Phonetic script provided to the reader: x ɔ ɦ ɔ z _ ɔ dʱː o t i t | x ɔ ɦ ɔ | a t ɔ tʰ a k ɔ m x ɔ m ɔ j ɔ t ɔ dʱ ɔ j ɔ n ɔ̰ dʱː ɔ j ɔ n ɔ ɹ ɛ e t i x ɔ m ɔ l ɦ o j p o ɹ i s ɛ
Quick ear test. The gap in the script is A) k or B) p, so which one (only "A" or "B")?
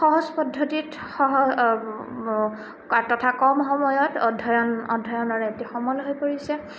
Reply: B